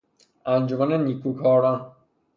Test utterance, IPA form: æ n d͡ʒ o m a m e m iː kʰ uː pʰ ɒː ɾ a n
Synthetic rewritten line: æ n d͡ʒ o m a n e n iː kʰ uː kʰ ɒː ɾ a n